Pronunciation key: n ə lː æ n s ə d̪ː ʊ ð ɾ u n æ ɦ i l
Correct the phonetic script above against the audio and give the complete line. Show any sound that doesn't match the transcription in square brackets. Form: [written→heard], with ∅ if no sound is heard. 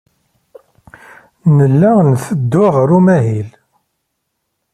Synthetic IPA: n ə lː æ n [s→θ] ə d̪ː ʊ [ð→ʁ] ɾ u [n→m] æ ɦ i l